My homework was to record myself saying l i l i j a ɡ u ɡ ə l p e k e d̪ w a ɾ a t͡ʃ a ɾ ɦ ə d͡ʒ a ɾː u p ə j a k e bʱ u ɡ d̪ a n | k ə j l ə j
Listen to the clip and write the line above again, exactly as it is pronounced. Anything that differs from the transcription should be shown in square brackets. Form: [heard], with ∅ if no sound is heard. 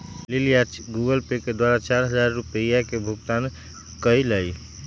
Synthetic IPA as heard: l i l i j a ɡ u ɡ ə l p e k e d̪ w a ɾ a t͡ʃ a ɾ ɦ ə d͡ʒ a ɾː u p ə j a k e bʱ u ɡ [t̪] a n | k ə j l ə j